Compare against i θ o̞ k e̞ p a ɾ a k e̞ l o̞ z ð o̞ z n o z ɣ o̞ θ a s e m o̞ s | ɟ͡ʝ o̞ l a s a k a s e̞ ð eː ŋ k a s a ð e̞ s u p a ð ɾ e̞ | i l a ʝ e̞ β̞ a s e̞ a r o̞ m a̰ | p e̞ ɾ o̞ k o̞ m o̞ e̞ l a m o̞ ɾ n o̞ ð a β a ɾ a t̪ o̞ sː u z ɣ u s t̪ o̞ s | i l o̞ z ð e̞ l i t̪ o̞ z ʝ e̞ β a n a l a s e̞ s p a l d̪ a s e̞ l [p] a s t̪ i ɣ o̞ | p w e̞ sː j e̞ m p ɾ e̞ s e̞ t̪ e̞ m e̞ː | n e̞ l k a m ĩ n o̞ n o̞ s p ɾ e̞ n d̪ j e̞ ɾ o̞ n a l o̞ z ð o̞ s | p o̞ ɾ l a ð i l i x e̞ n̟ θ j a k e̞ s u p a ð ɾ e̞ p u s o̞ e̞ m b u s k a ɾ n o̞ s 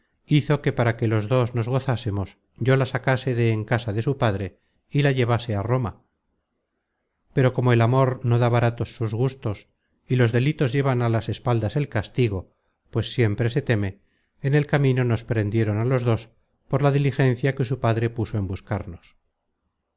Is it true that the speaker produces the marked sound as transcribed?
no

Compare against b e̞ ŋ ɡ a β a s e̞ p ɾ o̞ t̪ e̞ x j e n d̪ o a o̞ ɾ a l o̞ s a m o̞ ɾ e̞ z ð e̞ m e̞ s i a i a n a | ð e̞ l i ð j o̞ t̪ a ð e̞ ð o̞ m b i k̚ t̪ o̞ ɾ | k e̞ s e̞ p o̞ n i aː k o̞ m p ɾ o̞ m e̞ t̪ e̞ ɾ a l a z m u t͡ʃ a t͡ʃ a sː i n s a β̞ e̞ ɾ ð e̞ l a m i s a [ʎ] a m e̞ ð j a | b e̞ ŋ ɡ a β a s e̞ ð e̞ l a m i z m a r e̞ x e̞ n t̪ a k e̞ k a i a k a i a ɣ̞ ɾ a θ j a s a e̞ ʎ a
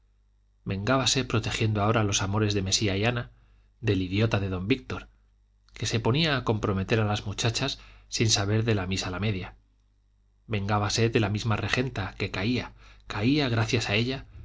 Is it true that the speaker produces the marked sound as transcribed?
no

